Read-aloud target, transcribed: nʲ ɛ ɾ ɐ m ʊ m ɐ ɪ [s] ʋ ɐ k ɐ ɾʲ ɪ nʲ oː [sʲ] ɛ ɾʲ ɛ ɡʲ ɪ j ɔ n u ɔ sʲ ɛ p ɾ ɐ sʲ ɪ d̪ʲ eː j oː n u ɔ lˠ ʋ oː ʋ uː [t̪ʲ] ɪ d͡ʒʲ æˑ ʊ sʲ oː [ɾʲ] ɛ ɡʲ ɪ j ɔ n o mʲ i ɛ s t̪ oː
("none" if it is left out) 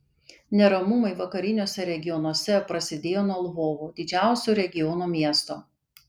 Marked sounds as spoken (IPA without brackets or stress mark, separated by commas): none, sʲ, d̪ʲ, ɾʲ